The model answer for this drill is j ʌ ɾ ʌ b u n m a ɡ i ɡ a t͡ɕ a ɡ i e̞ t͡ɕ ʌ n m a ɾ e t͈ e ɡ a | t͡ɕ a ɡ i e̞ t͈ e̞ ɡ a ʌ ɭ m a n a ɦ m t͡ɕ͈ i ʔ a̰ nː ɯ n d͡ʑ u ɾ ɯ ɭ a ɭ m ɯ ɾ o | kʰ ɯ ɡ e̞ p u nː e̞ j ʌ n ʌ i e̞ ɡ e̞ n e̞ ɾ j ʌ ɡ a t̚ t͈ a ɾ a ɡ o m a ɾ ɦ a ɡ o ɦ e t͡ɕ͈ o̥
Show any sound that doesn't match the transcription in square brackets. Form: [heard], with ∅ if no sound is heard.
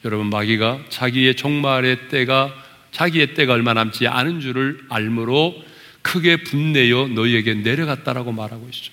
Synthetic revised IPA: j ʌ ɾ ʌ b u n m a ɡ i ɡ a t͡ɕ a ɡ i e̞ t͡ɕ ʌ [ŋ] m a ɾ e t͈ e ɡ a | t͡ɕ a ɡ i e̞ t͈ e̞ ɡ a ʌ ɭ m a n a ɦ m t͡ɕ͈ i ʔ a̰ [n] ɯ n d͡ʑ u ɾ ɯ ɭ a ɭ m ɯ ɾ o | kʰ ɯ ɡ e̞ p u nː e̞ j ʌ n ʌ i e̞ ɡ e̞ n e̞ ɾ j ʌ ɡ a t̚ t͈ a ɾ a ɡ o m a ɾ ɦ a ɡ o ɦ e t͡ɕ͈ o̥